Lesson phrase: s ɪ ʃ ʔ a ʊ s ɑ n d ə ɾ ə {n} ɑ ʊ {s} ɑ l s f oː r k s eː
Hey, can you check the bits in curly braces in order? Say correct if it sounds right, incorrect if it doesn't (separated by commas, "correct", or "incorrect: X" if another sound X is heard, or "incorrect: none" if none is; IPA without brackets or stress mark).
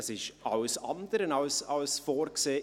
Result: correct, correct